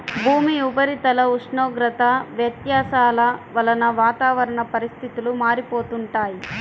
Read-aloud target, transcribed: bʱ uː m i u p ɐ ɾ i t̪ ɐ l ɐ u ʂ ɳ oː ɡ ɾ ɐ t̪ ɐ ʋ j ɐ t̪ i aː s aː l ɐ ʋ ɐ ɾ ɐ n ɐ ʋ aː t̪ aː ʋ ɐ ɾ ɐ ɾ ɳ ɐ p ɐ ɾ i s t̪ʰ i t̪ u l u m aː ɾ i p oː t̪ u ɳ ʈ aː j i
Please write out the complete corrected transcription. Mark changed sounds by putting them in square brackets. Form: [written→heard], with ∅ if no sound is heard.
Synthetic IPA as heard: bʱ uː m i u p ɐ ɾ i t̪ ɐ l ɐ u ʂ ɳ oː ɡ ɾ ɐ t̪ ɐ ʋ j ɐ t̪ [i→j] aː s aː l ɐ ʋ ɐ [ɾ→l] ɐ n ɐ ʋ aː t̪ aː ʋ ɐ ɾ ɐ [ɾ→∅] ɳ ɐ p ɐ ɾ i s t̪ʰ i t̪ u l u m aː ɾ i p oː t̪ u ɳ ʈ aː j i